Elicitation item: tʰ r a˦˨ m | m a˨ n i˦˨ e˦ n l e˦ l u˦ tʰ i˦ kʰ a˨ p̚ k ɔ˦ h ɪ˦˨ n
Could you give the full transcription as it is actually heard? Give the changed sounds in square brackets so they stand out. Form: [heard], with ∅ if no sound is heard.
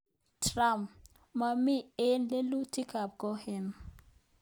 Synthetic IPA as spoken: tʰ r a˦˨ m | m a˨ [m] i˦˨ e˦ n l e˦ l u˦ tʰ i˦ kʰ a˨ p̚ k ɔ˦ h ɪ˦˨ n